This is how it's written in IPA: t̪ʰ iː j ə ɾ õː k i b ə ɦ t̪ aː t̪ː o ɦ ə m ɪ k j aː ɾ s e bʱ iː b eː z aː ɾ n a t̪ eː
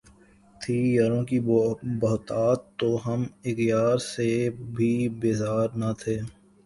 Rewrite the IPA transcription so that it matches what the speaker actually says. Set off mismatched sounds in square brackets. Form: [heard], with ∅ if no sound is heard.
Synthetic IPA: t̪ʰ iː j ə ɾ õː k i b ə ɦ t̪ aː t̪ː o ɦ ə m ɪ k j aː ɾ s e bʱ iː b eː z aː ɾ n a [t̪ʰ] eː